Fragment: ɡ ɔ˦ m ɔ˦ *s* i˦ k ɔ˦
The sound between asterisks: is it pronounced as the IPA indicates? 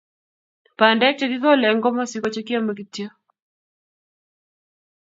yes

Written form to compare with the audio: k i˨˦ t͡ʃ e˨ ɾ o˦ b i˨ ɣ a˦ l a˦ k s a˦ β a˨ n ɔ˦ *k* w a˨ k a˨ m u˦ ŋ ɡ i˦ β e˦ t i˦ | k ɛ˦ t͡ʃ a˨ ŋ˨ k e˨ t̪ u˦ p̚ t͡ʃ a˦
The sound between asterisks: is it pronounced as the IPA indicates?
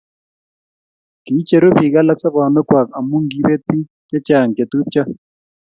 yes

